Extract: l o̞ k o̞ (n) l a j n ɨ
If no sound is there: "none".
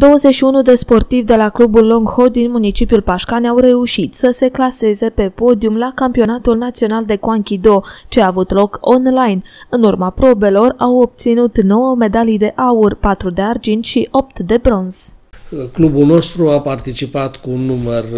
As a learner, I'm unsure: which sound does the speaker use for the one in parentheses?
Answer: n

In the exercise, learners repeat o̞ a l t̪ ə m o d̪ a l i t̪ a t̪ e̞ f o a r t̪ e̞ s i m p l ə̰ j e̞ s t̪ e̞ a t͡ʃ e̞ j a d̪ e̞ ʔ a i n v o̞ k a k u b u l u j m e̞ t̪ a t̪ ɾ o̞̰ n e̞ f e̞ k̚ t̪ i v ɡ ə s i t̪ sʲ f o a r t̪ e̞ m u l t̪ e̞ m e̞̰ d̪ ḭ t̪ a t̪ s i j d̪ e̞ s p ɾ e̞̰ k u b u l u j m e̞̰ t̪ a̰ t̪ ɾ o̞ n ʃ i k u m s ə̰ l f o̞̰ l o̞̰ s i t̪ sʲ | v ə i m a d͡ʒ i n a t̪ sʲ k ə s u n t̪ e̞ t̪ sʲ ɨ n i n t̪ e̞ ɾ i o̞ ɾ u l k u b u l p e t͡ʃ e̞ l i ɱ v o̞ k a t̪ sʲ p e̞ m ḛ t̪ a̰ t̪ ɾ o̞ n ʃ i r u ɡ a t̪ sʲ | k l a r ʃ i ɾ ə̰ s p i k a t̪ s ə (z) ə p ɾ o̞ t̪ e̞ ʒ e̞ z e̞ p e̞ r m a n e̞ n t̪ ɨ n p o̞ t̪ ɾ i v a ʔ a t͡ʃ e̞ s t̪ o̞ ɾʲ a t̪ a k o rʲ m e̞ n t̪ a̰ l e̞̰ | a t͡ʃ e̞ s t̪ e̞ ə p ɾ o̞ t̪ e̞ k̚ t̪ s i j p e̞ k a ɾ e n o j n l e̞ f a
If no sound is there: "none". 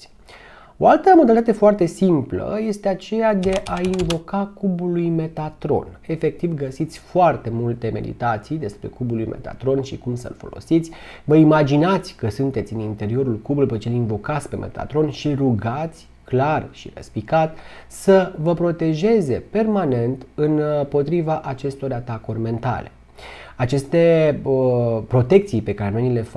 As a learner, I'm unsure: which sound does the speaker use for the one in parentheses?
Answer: v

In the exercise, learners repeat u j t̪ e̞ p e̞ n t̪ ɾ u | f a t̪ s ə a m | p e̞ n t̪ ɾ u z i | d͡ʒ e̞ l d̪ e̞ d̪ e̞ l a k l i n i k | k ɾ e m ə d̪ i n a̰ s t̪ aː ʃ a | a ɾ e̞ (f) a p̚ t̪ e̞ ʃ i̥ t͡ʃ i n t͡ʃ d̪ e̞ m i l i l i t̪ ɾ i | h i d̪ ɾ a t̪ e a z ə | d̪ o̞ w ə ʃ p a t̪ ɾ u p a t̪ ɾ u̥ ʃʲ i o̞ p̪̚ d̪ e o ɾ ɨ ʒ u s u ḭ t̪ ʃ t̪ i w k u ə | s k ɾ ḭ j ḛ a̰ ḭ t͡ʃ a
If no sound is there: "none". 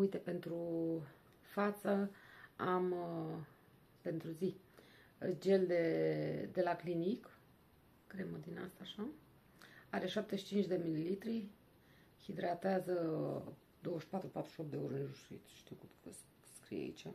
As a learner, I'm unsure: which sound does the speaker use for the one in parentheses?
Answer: ʃ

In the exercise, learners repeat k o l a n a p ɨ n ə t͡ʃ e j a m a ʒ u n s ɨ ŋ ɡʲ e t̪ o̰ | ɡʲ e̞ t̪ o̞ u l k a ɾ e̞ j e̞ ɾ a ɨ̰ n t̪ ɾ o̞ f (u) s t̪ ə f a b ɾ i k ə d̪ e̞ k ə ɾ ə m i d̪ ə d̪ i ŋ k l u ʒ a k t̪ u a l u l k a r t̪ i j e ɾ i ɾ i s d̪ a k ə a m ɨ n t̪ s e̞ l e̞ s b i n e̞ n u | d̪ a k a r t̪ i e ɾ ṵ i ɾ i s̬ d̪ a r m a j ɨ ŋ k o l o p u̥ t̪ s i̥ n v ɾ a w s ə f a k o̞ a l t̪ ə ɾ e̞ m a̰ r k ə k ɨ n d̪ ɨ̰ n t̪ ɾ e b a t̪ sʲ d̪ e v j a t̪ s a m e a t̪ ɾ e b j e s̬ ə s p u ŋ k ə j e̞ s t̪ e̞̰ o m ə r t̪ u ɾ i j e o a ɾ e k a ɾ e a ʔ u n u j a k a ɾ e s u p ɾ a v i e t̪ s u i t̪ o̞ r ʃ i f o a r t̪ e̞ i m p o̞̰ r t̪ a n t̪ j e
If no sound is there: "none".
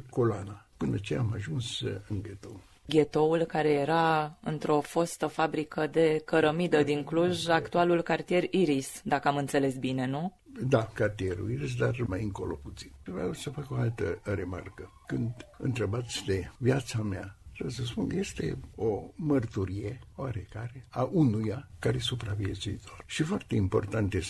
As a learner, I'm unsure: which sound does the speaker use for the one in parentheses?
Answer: o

